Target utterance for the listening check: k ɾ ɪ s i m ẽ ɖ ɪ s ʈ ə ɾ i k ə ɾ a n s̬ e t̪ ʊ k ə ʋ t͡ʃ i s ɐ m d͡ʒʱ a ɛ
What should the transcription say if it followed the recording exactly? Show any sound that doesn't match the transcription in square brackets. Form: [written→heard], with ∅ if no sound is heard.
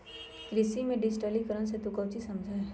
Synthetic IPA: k ɾ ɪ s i m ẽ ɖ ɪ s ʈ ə [ɾ→l] i k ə ɾ [a→ə] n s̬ e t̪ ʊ k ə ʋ t͡ʃ i s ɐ m d͡ʒʱ a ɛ